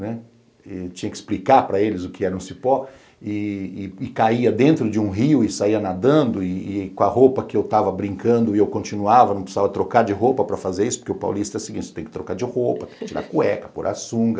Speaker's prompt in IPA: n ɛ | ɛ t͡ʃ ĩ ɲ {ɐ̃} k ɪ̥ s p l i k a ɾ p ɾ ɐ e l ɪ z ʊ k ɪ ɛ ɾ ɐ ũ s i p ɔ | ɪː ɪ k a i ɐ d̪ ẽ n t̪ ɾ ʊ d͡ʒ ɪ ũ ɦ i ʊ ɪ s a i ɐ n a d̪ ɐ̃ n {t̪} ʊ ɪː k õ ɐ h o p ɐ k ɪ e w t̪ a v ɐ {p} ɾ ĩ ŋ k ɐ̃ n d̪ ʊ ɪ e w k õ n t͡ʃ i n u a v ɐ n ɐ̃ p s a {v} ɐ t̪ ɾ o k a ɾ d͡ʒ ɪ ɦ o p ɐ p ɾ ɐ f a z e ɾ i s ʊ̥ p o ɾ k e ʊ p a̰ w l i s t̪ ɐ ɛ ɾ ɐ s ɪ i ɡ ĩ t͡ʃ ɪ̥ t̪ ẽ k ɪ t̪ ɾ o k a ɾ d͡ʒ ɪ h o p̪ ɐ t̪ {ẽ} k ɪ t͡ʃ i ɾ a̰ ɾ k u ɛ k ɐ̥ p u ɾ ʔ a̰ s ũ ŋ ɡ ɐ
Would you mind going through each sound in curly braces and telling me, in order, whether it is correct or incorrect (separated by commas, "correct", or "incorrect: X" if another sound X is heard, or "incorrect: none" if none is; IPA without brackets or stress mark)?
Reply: incorrect: ɐ, incorrect: d̪, incorrect: b, correct, correct